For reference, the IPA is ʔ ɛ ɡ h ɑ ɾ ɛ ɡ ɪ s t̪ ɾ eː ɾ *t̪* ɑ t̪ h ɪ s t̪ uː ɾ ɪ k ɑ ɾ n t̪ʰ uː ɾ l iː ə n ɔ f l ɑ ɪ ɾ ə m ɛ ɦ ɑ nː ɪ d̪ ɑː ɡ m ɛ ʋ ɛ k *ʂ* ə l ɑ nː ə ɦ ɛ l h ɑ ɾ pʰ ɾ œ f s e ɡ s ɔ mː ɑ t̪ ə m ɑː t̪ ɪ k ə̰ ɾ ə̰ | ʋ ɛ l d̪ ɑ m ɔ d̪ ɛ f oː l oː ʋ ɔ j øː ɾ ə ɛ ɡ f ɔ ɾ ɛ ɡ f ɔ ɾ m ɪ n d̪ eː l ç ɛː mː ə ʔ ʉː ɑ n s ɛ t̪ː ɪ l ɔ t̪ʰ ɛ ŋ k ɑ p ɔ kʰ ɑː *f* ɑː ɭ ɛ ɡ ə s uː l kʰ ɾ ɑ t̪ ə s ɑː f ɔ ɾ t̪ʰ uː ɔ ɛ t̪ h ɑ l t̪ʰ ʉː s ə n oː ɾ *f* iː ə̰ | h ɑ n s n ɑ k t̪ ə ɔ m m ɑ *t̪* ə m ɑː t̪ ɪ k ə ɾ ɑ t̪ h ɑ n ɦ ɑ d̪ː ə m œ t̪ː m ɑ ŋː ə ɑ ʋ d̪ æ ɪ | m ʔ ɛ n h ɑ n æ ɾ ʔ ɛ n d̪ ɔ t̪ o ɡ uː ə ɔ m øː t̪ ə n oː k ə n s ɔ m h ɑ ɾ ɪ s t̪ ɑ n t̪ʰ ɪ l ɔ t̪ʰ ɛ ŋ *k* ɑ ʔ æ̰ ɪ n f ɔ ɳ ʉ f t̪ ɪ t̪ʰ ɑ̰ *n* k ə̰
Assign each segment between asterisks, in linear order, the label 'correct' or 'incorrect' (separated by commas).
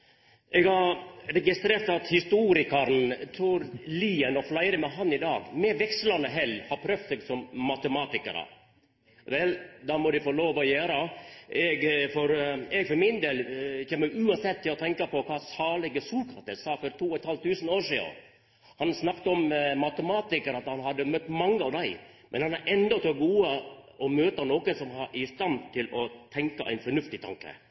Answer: correct, incorrect, incorrect, incorrect, correct, correct, incorrect